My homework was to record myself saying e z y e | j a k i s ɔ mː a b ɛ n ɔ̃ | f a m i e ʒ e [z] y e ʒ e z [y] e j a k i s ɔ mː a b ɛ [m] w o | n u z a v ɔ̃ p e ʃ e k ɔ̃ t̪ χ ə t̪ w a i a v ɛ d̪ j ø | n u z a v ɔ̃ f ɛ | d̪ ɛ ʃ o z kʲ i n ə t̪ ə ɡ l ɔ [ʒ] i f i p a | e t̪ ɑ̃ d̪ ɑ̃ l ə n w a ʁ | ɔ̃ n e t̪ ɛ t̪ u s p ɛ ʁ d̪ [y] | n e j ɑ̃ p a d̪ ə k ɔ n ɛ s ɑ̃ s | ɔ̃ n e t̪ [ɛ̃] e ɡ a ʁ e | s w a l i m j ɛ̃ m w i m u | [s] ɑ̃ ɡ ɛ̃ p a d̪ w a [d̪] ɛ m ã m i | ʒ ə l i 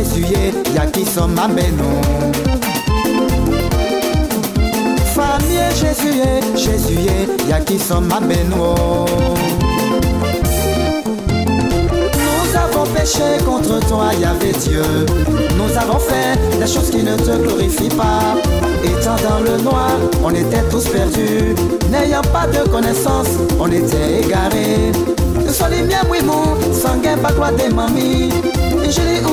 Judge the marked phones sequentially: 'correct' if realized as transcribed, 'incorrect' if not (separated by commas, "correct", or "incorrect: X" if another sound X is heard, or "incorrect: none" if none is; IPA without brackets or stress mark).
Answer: correct, correct, incorrect: n, incorrect: ʁ, correct, incorrect: ɛ, correct, correct